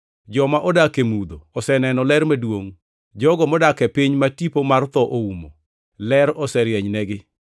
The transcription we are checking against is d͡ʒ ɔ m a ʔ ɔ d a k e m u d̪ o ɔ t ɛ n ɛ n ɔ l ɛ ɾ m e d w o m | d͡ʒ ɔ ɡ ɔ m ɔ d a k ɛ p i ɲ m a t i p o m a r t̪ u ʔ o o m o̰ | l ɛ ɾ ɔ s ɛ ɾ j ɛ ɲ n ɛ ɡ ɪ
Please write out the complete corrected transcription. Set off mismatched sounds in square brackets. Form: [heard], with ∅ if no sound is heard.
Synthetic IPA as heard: d͡ʒ ɔ m a ʔ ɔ d a k e m u d̪ o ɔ [s] ɛ n ɛ n ɔ l ɛ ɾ m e d w o [ŋ] | d͡ʒ ɔ ɡ ɔ m ɔ d a k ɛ p i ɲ m a t i p o m a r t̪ [ɔ] ʔ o [u] m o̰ | l ɛ ɾ ɔ s ɛ ɾ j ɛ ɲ n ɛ ɡ ɪ

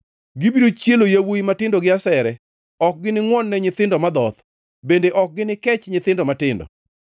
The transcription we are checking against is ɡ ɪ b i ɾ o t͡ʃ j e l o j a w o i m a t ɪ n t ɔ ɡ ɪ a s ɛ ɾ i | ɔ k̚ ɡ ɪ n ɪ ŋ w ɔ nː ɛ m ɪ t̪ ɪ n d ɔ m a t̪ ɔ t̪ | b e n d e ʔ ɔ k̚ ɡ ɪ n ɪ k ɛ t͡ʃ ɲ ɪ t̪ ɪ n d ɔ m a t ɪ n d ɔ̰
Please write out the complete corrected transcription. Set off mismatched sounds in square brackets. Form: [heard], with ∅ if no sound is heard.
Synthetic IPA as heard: ɡ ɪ b i ɾ o t͡ʃ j e l o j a w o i m a t ɪ n [d] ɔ ɡ ɪ a s ɛ ɾ [ɛ] | ɔ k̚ ɡ ɪ n ɪ ŋ w ɔ nː ɛ [ɲ] ɪ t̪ ɪ n d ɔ m a [d̪] ɔ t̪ | b e n d e ʔ ɔ k̚ ɡ ɪ n ɪ k ɛ t͡ʃ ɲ ɪ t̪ ɪ n d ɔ m a t ɪ n d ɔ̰

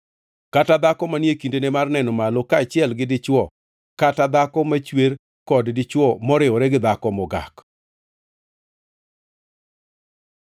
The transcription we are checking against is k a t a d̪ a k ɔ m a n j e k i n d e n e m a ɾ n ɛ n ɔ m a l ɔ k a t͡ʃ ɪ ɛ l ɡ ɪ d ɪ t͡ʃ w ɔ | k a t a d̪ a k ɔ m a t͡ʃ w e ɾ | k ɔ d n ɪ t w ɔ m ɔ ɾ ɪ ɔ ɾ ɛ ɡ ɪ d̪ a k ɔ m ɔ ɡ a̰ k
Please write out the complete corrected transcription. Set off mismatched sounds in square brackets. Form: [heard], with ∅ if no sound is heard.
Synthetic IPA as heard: k a t a d̪ a k ɔ m a n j e k i n d e n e m a [r] n ɛ n ɔ m a l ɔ k a t͡ʃ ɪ ɛ l ɡ ɪ d ɪ t͡ʃ w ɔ | k a t a d̪ a k ɔ m a t͡ʃ w e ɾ | k ɔ d [d] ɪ [t͡ʃ] w ɔ m ɔ ɾ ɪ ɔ ɾ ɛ ɡ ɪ d̪ a k ɔ m ɔ ɡ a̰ k

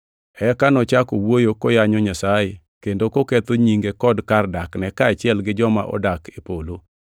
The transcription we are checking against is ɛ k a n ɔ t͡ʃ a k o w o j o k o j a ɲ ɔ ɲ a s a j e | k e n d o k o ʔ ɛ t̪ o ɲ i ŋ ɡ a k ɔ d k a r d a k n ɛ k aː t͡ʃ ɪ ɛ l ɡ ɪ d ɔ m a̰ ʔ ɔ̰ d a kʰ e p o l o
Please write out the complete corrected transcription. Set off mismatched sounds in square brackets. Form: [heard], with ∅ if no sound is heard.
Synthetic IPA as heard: ɛ k a n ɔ t͡ʃ a k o w o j o k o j a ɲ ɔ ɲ a s a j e | k e n d o k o [k] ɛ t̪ o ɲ i ŋ ɡ [e] k ɔ d k a r d a k n ɛ k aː t͡ʃ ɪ ɛ l ɡ ɪ [d͡ʒ] ɔ m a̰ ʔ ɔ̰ d a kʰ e p o l o

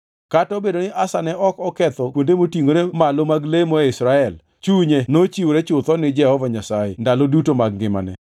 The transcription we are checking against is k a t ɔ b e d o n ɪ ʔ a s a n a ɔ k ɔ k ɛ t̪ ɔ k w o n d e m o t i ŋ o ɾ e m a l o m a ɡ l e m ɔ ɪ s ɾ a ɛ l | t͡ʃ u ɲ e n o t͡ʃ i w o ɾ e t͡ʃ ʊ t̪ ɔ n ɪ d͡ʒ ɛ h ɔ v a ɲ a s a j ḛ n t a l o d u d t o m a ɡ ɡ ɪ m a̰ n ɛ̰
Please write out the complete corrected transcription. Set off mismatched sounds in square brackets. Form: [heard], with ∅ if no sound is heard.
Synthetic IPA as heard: k a t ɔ b e d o n ɪ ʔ a s a n [ɛ] ɔ k ɔ k ɛ t̪ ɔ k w o n d e m o t i ŋ o ɾ e m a l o m a ɡ l e m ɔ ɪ s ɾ a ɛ l | t͡ʃ u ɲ e n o t͡ʃ i w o ɾ e t͡ʃ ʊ t̪ ɔ n ɪ d͡ʒ ɛ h ɔ v a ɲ a s a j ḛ n [d] a l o d u [∅] t o m a ɡ ɡ ɪ m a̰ n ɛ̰

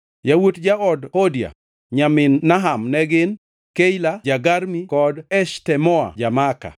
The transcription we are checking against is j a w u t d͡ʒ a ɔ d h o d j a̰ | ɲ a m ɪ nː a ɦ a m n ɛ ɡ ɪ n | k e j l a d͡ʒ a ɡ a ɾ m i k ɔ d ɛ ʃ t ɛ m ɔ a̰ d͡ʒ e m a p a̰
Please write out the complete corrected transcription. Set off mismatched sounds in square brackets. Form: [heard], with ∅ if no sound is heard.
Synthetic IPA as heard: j a w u t d͡ʒ a ɔ d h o d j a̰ | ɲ a m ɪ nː a ɦ a m n ɛ ɡ ɪ n | k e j l a d͡ʒ a ɡ a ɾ m i k ɔ d ɛ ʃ t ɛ m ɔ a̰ d͡ʒ [a] m a [k] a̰

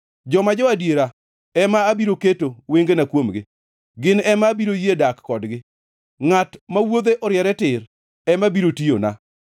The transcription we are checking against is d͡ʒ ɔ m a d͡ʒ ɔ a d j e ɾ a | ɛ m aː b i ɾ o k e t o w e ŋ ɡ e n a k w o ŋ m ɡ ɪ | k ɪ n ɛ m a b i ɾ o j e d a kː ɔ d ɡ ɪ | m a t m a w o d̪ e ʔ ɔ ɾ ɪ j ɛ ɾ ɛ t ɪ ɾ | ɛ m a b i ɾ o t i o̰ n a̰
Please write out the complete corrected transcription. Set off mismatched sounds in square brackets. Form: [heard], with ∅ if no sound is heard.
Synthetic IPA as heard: d͡ʒ ɔ m a d͡ʒ ɔ a d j e ɾ a | ɛ m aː b i ɾ o k e t o w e ŋ ɡ e n a k w o [∅] m ɡ ɪ | [ɡ] ɪ n ɛ m a b i ɾ o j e d a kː ɔ d ɡ ɪ | [ŋ] a t m a w o d̪ e ʔ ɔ ɾ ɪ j ɛ ɾ ɛ t ɪ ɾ | ɛ m a b i ɾ o t i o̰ n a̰

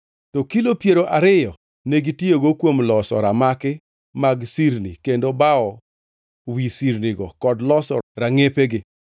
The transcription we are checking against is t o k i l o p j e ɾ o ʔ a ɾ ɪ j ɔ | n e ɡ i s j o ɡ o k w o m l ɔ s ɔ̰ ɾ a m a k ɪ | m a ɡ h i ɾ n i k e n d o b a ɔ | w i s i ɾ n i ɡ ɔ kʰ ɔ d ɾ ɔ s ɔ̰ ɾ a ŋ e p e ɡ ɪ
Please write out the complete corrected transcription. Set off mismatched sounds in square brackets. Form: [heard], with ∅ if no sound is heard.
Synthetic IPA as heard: t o k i l o p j e ɾ o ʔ a ɾ ɪ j ɔ | n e ɡ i [t] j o ɡ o k w o m l ɔ s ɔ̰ ɾ a m a k ɪ | m a ɡ [s] i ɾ n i k e n d o b a ɔ | w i s i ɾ n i ɡ ɔ [k] ɔ d [l] ɔ s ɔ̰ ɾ a ŋ e p e ɡ ɪ

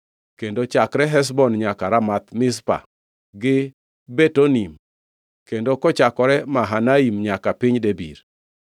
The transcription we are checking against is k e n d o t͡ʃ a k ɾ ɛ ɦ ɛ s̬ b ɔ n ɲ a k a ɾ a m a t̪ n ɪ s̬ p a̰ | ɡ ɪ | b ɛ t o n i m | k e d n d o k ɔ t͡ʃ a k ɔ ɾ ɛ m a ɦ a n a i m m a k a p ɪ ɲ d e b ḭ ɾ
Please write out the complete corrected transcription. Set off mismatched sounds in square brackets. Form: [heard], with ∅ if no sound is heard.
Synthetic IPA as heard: k e n d o t͡ʃ a k ɾ ɛ ɦ ɛ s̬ b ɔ n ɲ a k a ɾ a m a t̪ [m] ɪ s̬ p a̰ | ɡ ɪ | b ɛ t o n i m | k e [∅] n d o k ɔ t͡ʃ a k ɔ ɾ ɛ m a ɦ a n a i m [ɲ] a k a p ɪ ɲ d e b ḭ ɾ

